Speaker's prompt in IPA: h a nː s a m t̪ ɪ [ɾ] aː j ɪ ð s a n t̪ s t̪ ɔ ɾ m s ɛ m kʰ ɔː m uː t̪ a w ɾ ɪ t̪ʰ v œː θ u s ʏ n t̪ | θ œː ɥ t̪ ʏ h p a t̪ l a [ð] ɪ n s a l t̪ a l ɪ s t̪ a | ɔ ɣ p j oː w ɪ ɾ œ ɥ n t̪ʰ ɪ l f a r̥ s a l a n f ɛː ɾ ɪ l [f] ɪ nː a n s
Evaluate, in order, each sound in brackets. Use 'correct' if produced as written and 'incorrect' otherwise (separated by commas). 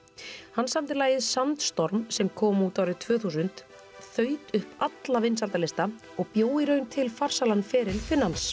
incorrect, incorrect, correct